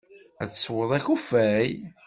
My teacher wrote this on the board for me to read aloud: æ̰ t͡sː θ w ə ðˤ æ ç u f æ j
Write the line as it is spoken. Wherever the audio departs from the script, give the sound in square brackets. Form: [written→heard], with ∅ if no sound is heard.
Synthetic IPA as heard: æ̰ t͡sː [θ→s] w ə ðˤ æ ç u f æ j